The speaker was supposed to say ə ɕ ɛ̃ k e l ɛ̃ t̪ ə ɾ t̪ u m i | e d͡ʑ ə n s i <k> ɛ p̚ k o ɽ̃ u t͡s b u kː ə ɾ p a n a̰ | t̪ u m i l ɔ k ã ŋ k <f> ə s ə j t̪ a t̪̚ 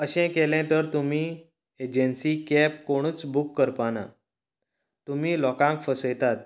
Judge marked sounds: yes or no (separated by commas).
yes, yes